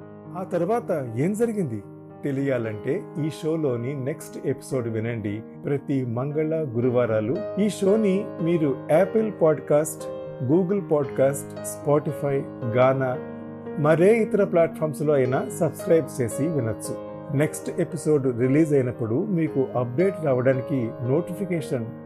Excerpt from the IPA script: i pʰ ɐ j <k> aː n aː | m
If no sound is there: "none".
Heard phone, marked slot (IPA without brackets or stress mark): ɡ